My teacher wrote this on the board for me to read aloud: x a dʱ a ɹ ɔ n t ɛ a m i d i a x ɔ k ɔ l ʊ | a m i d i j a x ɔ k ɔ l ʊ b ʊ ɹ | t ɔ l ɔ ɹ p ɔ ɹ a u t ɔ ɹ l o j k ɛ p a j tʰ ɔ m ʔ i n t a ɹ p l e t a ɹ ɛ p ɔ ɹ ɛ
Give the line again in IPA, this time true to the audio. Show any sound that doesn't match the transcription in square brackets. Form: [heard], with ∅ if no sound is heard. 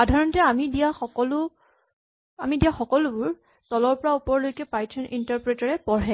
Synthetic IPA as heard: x a dʱ a ɹ ɔ n t ɛ a m i d i a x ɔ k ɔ l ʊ | a m i d i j a x ɔ k ɔ l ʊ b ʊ ɹ | t ɔ l ɔ ɹ p ɔ ɹ a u [p] ɔ ɹ l o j k ɛ p a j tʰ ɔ [n] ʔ i n t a ɹ p [ɹ] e t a ɹ ɛ p ɔ ɹ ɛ